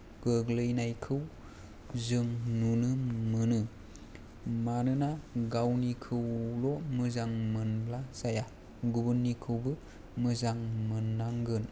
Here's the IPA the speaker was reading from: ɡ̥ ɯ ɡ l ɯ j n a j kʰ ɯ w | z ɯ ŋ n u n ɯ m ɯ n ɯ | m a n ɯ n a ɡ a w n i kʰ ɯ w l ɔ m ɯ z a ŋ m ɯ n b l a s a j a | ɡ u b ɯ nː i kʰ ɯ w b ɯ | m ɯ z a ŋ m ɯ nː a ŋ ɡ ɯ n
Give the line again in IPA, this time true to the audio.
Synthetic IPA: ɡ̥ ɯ ɡ l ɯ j n a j kʰ ɯ w | z ɯ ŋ n u n ɯ m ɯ n ɯ | m a n ɯ n a ɡ a w n i kʰ ɯ w l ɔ m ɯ z a ŋ m ɯ n b l a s a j a | ɡ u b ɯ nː i kʰ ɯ w b ɯ | m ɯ z a ŋ m ɯ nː a ŋ ɡ ɯ n